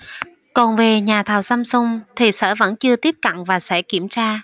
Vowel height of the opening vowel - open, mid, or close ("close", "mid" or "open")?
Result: mid